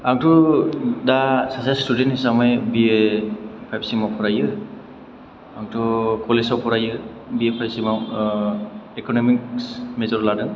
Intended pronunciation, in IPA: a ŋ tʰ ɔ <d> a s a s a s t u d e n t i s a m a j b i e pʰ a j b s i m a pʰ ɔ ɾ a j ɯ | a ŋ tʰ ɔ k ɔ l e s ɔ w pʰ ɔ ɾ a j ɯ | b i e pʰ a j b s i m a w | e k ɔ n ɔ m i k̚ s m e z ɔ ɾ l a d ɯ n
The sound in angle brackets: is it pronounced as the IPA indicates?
yes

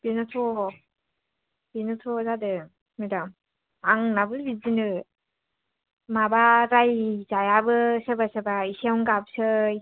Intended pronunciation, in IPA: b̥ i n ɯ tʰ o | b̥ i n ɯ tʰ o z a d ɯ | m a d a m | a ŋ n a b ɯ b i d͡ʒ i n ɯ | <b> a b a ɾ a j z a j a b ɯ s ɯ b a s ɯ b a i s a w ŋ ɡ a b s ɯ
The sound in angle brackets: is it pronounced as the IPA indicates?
no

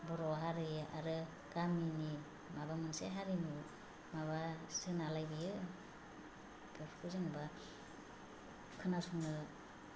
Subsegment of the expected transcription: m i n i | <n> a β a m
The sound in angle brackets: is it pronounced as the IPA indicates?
no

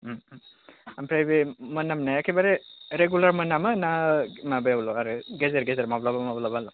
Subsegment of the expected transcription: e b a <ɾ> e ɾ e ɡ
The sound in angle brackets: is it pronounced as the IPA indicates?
yes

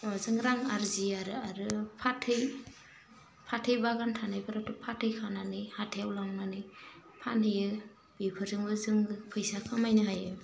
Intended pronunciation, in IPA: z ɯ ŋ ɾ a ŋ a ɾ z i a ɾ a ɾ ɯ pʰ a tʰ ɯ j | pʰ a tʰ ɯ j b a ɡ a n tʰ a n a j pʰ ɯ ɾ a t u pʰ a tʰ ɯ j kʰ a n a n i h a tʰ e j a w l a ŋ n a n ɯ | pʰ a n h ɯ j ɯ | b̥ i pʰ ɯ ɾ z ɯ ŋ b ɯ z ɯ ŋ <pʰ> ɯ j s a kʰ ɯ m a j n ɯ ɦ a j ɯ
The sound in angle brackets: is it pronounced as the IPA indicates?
yes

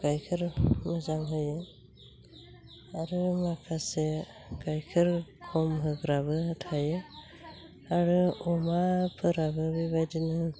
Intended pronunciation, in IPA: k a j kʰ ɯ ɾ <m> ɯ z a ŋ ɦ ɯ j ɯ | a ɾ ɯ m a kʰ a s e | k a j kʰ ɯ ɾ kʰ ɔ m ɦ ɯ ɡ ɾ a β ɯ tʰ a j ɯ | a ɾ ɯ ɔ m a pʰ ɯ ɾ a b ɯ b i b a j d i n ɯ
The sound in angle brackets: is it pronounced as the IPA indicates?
yes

